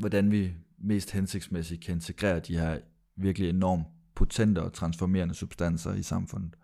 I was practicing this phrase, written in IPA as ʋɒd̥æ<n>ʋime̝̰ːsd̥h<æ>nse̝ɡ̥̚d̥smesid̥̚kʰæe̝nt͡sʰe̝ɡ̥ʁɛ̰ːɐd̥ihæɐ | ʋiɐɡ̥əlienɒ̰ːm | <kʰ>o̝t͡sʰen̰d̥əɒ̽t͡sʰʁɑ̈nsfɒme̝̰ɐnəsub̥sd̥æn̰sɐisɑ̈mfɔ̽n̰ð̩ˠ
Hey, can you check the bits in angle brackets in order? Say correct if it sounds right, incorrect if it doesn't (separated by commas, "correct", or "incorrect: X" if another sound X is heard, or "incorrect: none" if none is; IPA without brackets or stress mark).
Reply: correct, incorrect: e, incorrect: pʰ